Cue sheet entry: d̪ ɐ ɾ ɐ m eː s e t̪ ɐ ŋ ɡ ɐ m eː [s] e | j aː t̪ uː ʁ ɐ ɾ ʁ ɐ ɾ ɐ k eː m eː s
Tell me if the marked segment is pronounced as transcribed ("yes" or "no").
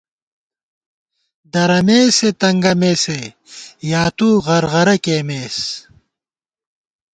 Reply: yes